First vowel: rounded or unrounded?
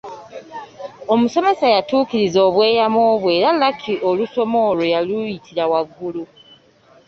rounded